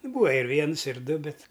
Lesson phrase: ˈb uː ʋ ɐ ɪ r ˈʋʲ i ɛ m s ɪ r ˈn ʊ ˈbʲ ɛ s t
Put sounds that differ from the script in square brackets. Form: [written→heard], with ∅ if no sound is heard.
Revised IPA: ˈb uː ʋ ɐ ɪ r ˈʋʲ i ɛ [m→n] s ɪ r [ˈn→ˈd] ʊ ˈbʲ ɛ [s→∅] t